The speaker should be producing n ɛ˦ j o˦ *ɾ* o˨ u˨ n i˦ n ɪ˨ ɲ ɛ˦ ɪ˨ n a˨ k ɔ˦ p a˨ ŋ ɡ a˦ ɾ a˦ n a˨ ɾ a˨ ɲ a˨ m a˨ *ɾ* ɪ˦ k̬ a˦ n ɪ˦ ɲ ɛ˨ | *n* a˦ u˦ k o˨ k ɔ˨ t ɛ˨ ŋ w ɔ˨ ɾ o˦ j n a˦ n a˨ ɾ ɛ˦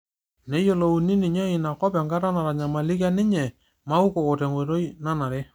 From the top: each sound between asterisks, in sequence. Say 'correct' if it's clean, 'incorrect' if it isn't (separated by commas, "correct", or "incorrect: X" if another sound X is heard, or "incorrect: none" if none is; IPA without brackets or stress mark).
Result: incorrect: l, incorrect: l, incorrect: m